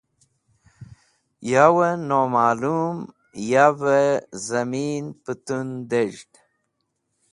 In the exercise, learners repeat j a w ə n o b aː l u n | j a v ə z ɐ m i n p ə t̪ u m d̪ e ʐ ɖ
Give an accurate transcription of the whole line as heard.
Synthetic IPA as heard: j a w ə n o m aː l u m | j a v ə z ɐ m i n p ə t̪ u n d̪ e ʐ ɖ